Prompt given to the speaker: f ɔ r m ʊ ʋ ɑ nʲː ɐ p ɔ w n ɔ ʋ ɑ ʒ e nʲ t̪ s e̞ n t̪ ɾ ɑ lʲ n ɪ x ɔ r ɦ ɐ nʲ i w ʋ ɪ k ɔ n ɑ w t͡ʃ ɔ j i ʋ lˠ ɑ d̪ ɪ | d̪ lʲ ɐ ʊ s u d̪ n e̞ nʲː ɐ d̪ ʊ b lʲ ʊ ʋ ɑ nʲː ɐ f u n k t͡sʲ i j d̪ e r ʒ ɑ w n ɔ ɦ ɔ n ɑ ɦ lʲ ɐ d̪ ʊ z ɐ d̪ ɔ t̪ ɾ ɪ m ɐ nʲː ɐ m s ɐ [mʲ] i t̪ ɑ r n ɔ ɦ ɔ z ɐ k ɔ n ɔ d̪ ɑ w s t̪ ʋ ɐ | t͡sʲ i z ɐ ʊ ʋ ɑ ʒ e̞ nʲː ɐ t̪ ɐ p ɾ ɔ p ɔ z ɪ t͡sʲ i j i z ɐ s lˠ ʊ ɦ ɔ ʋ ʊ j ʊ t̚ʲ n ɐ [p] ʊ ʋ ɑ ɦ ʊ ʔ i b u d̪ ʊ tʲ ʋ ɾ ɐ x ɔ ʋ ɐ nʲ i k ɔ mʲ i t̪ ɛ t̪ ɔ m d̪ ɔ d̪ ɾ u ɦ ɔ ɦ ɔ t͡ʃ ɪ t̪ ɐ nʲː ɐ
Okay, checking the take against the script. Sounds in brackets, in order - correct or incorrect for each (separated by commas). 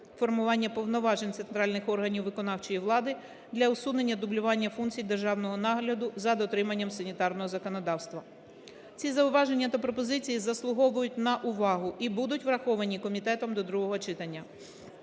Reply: incorrect, incorrect